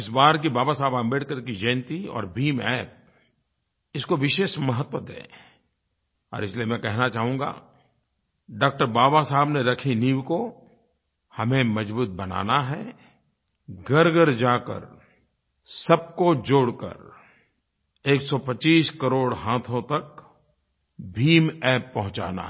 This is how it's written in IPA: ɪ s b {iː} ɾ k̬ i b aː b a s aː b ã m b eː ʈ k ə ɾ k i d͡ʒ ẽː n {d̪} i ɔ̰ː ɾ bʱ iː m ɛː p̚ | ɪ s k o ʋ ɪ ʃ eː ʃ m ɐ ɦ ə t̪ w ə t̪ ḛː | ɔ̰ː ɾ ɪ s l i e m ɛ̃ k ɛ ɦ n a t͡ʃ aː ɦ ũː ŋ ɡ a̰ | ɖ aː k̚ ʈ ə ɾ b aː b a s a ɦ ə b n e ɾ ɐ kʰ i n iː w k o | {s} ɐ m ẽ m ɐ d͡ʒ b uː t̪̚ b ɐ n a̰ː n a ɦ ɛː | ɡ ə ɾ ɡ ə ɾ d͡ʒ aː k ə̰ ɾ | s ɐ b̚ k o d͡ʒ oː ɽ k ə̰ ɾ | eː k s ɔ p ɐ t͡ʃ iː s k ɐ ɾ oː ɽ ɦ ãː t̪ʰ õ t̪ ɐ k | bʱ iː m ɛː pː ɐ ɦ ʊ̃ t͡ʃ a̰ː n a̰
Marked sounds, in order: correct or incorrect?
incorrect: aː, incorrect: t̪, incorrect: h

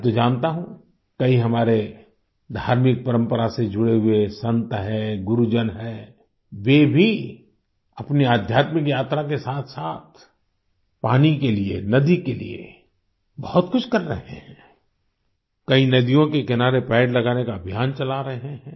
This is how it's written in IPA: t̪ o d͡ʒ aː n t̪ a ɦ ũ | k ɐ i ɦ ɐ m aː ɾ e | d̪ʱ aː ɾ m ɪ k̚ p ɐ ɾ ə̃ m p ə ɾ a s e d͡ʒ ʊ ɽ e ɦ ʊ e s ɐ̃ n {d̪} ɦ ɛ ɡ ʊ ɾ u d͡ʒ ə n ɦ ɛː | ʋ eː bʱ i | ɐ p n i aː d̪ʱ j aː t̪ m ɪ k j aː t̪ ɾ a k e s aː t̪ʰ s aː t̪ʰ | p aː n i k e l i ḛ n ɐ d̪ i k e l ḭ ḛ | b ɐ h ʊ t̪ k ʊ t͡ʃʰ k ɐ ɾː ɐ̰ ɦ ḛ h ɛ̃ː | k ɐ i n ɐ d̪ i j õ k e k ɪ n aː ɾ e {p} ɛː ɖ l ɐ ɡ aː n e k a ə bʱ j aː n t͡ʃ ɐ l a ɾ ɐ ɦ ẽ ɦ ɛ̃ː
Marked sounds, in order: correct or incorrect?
incorrect: t̪, correct

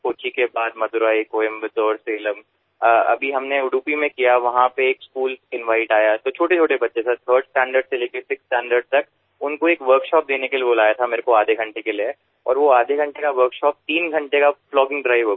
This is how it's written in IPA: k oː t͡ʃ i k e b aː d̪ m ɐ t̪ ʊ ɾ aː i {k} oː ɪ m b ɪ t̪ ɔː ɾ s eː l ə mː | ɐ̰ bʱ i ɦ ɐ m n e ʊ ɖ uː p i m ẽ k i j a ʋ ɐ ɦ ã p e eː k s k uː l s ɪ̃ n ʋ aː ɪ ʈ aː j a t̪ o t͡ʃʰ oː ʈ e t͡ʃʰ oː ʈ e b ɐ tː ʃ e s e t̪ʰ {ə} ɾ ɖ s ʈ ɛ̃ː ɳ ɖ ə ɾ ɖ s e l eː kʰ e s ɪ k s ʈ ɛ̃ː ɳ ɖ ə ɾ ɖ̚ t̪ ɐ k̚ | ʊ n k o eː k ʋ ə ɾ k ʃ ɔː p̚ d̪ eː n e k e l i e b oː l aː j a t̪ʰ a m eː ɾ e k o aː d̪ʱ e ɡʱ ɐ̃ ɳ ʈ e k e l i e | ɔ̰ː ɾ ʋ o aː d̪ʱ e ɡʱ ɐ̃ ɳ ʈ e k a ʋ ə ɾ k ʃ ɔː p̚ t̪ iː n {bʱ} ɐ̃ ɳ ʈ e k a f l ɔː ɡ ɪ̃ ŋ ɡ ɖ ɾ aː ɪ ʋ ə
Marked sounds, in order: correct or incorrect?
correct, incorrect: əː, incorrect: ɡʱ

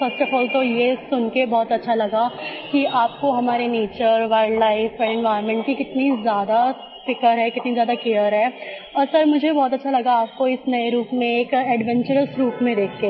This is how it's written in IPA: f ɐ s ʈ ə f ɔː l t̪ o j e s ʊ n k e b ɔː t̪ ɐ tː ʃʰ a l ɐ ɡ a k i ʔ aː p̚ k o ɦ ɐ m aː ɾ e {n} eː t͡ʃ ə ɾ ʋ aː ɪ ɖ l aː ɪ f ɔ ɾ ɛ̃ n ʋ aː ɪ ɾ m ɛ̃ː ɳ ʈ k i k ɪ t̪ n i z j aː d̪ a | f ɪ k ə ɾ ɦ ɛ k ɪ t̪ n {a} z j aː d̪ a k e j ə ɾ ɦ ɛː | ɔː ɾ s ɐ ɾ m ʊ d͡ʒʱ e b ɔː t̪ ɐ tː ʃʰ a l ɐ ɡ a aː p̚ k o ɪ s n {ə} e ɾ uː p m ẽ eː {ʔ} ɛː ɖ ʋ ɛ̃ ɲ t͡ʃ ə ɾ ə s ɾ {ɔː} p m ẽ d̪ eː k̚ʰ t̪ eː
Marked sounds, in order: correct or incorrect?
correct, incorrect: i, incorrect: ɐ, incorrect: k, incorrect: uː

